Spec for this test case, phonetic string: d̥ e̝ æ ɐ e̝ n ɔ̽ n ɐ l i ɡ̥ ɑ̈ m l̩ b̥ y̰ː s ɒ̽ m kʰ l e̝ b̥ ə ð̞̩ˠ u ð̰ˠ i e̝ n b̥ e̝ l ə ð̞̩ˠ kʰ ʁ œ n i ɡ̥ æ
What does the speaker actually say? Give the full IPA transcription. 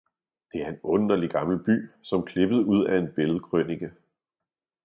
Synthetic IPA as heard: d̥ e̝ æ ɐ e̝ n ɔ̽ n ɐ l i ɡ̥ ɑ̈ m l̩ b̥ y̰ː s ɒ̽ m kʰ l e̝ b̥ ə ð̞̩ˠ u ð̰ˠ æ e̝ n b̥ e̝ l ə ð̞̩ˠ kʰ ʁ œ n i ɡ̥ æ